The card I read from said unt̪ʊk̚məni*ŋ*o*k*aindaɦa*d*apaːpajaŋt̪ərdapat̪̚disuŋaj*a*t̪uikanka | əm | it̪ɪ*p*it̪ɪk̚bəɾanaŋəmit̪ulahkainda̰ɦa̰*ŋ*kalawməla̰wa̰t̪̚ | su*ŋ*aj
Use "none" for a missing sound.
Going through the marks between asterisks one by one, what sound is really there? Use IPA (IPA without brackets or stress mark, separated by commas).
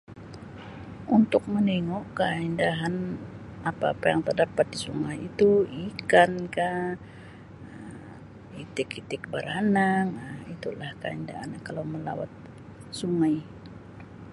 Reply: ŋ, k, n, i, k, n, ŋ